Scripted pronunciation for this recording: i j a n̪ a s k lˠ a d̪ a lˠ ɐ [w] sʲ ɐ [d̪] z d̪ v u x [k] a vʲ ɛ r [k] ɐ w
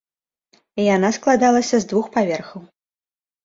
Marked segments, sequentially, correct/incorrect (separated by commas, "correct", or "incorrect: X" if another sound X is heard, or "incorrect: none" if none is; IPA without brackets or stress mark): incorrect: none, incorrect: none, incorrect: p, incorrect: x